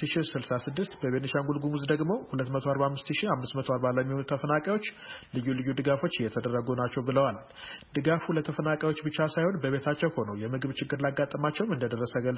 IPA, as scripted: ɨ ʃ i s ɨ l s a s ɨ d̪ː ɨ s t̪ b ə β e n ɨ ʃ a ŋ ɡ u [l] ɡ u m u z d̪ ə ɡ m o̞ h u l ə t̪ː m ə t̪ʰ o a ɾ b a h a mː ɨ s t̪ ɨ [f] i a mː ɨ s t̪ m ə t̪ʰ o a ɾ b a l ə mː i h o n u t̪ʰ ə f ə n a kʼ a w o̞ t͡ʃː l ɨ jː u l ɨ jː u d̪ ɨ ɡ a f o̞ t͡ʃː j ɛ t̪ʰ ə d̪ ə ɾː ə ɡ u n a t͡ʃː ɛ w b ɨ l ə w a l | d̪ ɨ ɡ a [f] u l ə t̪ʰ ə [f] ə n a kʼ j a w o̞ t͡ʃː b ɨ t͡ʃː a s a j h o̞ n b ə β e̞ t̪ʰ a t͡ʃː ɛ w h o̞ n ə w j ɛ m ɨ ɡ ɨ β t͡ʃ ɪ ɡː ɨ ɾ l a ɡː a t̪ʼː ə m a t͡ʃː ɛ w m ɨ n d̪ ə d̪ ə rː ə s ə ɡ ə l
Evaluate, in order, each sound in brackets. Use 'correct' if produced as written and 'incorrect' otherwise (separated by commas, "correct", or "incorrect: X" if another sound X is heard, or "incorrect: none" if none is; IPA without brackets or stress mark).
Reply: correct, incorrect: ʃ, correct, correct